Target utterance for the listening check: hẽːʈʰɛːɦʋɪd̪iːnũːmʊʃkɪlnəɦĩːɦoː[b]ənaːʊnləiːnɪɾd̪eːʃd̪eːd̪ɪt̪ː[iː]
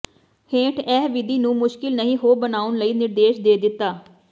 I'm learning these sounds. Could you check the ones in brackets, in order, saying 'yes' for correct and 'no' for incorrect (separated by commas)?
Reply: yes, no